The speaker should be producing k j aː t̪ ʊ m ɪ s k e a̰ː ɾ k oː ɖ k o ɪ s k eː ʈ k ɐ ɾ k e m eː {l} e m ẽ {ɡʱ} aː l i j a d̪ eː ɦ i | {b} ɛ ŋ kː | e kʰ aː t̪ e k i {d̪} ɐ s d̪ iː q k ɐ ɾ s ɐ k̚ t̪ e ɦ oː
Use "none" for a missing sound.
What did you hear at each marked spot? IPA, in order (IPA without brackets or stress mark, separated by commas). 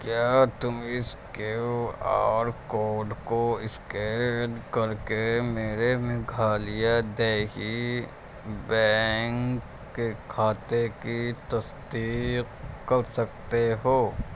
ɾ, ɡʱ, b, t̪